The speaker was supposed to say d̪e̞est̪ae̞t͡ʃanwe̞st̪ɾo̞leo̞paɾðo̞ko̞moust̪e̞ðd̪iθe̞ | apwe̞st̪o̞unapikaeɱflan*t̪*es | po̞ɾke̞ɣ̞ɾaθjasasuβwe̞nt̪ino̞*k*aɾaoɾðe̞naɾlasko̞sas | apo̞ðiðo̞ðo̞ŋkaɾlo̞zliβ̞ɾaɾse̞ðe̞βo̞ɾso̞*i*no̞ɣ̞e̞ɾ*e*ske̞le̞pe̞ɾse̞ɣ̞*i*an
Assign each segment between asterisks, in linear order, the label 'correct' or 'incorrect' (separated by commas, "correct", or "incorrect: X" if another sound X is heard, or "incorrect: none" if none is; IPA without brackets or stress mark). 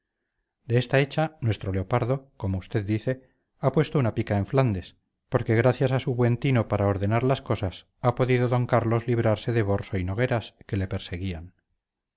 incorrect: d̪, incorrect: p, correct, incorrect: a, correct